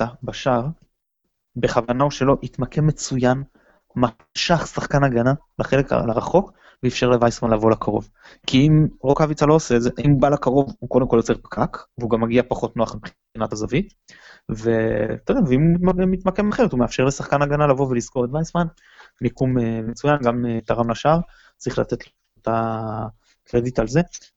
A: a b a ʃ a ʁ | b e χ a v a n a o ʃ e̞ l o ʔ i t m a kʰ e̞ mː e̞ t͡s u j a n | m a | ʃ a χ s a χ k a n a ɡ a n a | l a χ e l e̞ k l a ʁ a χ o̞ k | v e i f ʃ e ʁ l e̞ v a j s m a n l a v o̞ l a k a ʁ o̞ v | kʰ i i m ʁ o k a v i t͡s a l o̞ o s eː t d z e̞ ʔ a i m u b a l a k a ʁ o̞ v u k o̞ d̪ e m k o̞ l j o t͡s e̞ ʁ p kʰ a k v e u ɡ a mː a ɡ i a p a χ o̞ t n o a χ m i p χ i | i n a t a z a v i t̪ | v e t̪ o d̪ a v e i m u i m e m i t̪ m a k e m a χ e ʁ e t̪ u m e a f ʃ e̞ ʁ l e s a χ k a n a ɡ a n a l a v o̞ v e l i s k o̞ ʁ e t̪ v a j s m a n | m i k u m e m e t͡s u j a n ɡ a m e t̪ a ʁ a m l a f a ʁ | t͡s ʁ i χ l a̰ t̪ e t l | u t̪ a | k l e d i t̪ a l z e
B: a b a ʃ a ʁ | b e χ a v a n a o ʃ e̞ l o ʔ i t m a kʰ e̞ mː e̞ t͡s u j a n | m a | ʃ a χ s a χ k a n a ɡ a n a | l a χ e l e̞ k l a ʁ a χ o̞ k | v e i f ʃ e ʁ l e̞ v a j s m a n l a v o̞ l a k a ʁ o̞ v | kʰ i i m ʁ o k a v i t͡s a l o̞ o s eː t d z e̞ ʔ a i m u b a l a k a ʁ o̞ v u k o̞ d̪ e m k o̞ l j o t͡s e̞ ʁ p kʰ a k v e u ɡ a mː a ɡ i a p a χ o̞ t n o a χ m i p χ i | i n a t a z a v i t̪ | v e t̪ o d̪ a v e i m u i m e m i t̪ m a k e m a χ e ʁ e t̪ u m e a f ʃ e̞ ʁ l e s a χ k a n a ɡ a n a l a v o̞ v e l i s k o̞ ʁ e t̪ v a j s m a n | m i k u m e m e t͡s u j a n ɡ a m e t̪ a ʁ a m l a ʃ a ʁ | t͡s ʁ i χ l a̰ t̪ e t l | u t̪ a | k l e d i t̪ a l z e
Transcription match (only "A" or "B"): B